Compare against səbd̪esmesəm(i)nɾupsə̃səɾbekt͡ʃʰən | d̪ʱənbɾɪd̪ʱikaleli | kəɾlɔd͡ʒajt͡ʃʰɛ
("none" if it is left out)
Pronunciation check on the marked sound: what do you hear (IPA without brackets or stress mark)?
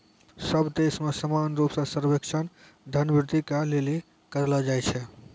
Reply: a